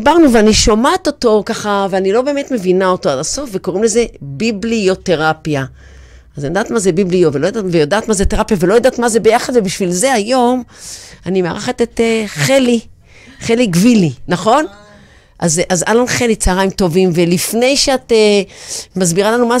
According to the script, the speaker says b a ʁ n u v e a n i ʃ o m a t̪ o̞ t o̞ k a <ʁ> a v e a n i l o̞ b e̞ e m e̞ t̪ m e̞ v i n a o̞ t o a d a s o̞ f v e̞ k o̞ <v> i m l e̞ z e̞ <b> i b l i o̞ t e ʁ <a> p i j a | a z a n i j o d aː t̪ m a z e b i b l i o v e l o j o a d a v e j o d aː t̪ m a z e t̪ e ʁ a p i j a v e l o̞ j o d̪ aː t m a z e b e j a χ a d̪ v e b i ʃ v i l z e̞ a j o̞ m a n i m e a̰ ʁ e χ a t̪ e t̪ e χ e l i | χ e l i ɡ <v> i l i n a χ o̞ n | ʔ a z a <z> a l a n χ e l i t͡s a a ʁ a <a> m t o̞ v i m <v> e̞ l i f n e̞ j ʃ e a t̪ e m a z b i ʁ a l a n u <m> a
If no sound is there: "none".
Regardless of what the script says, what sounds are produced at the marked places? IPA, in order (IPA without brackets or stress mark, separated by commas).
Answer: χ, ʁ, b, a, v, z, i, v, m